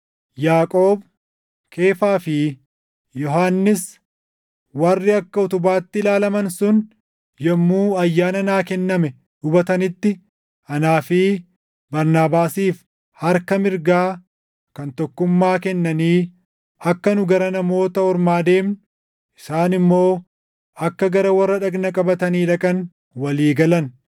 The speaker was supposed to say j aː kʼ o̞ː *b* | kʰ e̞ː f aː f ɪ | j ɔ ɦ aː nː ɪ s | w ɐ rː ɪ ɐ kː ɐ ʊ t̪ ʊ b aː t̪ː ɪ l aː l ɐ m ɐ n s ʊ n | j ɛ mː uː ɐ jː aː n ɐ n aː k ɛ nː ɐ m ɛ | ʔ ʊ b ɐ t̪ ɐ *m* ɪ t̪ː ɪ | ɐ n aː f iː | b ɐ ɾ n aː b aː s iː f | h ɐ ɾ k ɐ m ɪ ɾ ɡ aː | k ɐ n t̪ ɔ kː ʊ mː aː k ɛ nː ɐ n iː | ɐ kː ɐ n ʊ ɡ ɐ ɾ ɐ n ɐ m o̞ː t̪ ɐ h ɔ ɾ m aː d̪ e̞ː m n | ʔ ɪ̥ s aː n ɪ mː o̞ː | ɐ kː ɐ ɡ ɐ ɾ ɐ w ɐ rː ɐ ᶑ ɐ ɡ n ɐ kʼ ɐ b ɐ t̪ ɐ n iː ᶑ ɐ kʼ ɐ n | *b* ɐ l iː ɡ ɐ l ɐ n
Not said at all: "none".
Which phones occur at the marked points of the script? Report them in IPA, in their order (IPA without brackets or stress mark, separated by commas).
b, n, w